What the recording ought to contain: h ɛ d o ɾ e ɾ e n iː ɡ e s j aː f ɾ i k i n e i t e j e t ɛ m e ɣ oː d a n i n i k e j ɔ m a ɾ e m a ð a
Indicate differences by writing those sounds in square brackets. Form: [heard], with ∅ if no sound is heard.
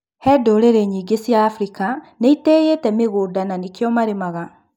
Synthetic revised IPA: h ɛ d o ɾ e ɾ e [ɲ] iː ɡ e s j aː f ɾ i k [a] n e i t e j e t ɛ m e ɣ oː d a n [a] n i k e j ɔ m a ɾ e m a [ɣ] a